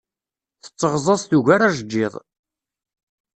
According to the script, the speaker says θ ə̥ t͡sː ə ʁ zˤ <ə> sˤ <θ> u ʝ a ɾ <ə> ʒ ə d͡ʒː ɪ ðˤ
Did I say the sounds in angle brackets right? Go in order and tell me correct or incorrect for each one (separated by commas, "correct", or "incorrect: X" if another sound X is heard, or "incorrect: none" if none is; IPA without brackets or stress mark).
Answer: incorrect: ɑ, correct, incorrect: a